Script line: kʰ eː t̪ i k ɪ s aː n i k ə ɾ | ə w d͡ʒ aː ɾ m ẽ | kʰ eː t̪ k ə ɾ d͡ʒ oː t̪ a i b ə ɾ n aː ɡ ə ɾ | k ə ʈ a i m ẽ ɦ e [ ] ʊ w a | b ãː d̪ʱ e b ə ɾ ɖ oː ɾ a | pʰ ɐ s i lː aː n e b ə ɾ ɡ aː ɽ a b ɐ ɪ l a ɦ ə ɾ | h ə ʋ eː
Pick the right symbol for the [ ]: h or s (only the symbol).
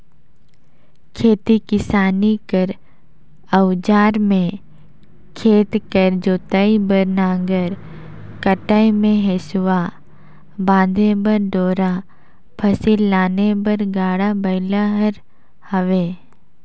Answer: s